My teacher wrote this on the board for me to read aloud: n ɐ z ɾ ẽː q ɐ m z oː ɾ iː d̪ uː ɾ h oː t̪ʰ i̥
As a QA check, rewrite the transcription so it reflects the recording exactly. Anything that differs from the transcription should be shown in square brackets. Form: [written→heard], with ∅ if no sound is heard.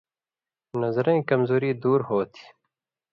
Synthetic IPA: n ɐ z ɾ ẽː [q→k] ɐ m z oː ɾ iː d̪ uː ɾ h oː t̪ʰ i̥